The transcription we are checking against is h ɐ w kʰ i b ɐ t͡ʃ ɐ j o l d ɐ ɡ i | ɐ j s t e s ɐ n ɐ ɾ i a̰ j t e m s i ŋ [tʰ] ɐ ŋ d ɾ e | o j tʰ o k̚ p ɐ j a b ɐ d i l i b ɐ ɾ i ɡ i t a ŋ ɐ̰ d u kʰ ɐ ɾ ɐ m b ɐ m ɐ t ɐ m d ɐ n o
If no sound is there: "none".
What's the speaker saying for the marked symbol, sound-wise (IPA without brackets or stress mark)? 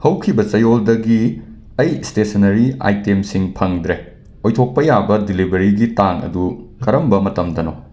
pʰ